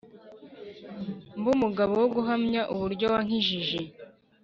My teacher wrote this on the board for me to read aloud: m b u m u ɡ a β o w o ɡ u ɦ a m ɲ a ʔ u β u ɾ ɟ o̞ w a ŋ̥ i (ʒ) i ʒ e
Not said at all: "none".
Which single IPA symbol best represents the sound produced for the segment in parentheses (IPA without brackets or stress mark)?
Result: ʒ